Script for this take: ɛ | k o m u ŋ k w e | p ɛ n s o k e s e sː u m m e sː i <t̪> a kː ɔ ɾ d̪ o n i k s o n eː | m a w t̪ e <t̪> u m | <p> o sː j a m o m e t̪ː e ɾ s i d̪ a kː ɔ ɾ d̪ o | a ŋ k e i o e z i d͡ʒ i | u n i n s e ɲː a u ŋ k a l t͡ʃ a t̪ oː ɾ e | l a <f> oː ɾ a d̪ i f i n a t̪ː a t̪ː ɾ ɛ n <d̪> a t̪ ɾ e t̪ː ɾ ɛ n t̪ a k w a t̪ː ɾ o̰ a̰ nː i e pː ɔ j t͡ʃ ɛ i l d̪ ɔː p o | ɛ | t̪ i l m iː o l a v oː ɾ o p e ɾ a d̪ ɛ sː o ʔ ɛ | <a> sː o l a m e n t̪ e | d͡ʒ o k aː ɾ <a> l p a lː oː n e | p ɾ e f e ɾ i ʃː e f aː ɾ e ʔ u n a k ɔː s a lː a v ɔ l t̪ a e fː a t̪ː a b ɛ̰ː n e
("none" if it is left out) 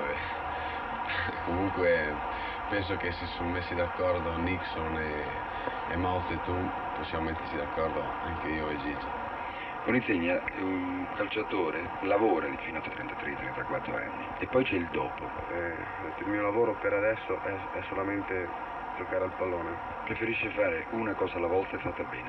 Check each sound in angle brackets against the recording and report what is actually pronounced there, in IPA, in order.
d̪, t̪, p, v, t̪, ɛ, a

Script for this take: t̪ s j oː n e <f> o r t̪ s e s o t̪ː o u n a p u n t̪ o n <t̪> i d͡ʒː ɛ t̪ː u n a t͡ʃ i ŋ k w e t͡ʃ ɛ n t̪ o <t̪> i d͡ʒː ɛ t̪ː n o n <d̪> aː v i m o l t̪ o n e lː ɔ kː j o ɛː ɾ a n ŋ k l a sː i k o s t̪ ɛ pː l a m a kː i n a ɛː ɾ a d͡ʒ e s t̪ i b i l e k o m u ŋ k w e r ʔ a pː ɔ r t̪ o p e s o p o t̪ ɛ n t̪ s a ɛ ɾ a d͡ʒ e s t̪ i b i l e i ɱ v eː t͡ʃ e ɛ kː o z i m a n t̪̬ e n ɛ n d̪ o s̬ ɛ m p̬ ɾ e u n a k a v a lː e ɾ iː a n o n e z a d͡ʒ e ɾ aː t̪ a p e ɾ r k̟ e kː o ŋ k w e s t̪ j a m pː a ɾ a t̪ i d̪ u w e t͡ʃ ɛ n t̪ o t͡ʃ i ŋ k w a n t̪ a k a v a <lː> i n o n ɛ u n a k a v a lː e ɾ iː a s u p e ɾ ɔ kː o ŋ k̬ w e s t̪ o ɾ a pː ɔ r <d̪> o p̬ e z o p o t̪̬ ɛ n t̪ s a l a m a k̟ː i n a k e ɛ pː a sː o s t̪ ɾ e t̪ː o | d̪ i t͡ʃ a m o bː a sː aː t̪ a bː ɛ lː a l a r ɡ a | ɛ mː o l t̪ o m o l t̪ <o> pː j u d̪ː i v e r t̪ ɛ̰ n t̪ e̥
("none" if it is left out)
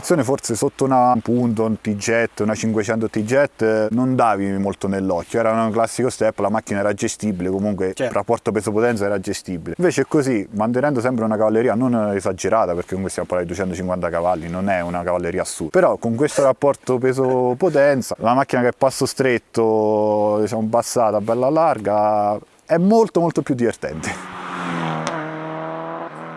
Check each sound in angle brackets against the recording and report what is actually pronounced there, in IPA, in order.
f, t̪, t̪, d̪, lː, t̪, o

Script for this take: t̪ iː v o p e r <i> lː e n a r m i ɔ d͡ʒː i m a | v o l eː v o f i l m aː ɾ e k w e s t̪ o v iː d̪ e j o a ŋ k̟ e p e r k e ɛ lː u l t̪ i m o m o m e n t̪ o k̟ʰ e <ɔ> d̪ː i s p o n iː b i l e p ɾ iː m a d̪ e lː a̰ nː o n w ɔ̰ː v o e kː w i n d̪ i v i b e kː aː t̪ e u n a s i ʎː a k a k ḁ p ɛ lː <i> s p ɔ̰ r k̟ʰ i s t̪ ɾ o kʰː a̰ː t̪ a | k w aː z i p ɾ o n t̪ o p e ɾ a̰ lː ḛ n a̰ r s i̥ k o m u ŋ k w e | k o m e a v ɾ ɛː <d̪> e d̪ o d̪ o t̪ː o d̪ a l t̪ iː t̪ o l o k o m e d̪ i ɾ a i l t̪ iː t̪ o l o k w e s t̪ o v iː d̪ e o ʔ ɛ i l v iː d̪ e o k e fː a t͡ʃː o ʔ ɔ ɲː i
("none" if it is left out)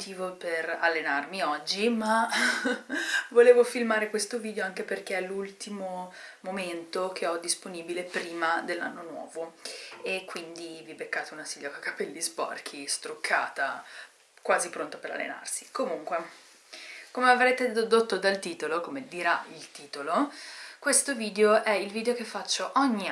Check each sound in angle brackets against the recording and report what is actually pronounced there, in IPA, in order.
a, ɔ, i, t̪

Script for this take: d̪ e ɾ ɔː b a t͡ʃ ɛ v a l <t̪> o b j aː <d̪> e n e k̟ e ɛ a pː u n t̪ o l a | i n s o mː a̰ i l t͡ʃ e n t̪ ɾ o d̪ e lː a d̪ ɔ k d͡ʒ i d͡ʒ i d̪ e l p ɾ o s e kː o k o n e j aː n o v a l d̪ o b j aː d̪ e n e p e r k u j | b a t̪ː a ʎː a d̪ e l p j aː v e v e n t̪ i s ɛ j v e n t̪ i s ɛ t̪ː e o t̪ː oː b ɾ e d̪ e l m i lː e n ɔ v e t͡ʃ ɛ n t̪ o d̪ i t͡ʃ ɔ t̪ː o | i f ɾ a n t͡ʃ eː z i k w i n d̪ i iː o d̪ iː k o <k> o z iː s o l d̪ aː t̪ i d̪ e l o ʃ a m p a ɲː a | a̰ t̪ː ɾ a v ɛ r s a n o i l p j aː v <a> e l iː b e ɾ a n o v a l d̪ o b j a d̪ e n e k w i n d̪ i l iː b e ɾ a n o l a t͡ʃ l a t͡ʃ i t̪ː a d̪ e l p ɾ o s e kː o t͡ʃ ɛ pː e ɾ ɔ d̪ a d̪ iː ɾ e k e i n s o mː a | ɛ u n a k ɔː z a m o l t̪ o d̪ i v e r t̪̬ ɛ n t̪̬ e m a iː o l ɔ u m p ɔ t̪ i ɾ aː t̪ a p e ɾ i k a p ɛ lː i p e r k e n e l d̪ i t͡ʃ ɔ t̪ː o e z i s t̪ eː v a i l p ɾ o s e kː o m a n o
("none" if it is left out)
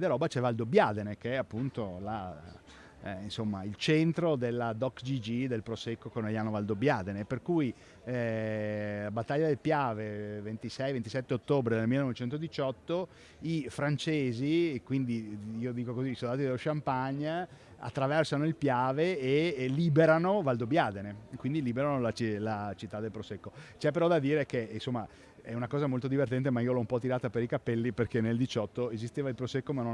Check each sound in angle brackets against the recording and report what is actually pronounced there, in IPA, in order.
d̪, d̪, k, e

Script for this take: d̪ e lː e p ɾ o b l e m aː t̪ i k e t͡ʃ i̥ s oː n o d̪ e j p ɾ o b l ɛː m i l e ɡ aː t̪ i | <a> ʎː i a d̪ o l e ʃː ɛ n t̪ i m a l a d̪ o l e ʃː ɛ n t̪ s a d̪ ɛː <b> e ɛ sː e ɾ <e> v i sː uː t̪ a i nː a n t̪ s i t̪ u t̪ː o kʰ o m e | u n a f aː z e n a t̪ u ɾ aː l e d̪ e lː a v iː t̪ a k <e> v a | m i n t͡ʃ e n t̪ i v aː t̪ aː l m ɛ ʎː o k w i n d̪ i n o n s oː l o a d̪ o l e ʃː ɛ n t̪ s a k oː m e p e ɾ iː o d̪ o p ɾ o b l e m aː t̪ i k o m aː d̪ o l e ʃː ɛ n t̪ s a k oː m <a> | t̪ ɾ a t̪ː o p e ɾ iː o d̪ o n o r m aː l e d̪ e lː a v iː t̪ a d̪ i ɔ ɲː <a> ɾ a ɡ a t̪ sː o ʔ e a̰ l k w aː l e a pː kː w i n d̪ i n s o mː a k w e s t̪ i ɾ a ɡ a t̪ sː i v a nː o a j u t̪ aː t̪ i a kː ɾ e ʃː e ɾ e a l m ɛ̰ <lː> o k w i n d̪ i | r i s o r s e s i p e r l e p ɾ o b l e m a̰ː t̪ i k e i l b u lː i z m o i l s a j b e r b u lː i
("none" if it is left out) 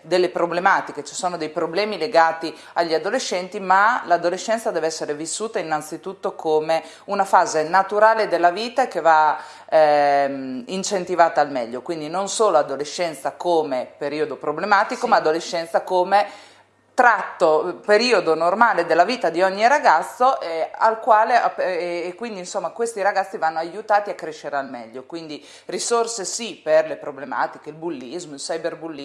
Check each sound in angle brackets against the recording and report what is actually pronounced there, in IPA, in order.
a, v, e, e, e, i, ʎː

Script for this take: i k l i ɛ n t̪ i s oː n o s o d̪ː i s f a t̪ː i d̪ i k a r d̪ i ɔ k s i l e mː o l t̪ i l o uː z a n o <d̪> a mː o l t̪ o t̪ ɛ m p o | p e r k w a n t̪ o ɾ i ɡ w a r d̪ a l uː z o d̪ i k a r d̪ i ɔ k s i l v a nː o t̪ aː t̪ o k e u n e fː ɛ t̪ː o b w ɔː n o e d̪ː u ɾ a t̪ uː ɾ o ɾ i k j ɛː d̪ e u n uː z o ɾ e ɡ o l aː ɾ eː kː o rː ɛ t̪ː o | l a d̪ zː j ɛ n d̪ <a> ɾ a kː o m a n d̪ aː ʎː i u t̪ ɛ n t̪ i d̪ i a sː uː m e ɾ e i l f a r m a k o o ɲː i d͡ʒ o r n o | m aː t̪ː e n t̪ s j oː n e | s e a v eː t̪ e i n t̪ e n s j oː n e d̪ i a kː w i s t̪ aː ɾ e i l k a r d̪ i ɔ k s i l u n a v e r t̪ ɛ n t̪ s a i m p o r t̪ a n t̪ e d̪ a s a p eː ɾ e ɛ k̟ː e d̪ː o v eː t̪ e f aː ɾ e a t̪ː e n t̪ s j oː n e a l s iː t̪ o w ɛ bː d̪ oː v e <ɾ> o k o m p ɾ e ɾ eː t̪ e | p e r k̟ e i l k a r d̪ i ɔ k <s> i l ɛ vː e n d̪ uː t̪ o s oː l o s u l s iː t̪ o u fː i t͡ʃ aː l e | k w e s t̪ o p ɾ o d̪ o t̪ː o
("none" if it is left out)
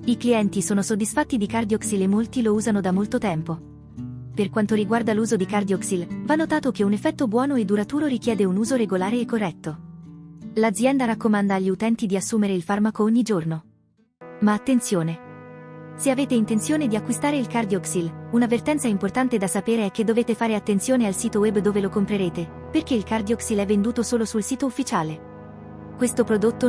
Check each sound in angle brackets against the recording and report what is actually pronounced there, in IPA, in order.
d̪, a, l, s

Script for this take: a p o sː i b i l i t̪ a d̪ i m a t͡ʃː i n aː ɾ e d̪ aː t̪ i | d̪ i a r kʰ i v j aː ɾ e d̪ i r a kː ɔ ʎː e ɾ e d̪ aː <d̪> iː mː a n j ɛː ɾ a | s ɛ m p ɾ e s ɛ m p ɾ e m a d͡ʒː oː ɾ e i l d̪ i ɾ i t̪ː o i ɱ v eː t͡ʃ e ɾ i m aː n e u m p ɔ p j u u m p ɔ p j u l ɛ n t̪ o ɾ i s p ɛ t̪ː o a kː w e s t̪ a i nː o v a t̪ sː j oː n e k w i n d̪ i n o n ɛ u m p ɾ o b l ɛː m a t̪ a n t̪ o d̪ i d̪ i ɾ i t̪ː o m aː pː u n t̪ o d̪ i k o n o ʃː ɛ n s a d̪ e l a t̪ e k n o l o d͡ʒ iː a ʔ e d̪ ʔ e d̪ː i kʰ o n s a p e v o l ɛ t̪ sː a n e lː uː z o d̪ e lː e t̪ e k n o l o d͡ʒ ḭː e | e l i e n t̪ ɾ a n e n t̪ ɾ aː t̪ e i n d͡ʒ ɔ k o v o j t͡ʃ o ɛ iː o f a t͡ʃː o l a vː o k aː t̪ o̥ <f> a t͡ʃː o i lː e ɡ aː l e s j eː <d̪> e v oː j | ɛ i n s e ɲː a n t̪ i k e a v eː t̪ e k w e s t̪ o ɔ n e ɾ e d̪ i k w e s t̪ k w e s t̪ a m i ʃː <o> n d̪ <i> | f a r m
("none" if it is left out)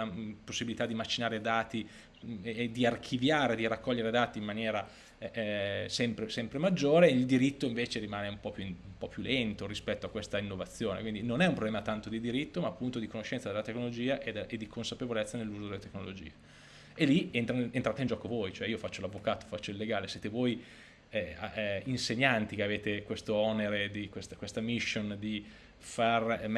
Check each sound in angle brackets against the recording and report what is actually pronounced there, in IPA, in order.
t̪, f, t̪, o, i

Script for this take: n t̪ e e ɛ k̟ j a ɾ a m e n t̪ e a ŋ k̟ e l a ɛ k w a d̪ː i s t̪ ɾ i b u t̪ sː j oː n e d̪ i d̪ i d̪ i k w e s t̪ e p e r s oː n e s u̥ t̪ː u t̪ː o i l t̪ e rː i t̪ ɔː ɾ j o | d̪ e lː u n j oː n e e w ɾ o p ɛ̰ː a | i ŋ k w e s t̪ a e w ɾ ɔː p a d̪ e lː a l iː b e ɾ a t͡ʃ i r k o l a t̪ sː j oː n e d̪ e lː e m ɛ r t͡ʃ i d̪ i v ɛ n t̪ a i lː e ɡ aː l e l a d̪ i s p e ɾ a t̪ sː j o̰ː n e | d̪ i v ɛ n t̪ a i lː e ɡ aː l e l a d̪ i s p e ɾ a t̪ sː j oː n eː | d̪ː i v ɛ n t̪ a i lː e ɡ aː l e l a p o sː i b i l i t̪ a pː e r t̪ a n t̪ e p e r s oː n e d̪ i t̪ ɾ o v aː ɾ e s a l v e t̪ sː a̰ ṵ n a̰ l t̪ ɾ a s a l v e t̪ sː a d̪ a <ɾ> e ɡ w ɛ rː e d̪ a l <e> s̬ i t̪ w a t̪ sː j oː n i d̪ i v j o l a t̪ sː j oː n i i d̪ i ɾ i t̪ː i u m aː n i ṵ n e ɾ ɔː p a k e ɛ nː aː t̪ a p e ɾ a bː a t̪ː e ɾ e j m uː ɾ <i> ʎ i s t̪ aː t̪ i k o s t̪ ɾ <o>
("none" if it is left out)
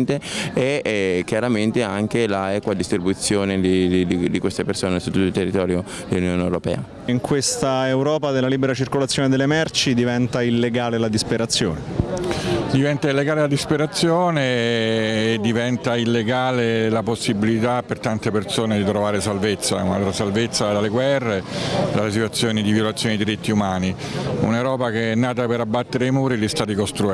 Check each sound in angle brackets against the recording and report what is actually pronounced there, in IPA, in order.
l, e, i, u

